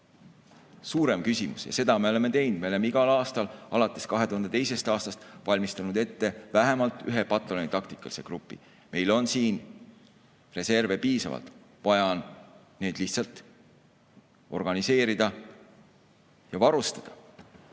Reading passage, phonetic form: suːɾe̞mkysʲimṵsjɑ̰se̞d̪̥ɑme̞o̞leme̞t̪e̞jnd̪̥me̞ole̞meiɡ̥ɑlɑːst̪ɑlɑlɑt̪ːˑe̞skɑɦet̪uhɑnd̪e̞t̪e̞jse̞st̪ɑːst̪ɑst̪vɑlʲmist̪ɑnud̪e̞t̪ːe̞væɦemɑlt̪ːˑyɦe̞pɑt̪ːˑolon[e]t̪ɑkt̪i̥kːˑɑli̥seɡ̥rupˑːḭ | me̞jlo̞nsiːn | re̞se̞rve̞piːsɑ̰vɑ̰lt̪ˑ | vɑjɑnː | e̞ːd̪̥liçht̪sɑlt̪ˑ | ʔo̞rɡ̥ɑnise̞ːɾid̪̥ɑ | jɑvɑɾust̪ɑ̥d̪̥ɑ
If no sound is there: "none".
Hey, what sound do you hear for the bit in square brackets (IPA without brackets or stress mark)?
i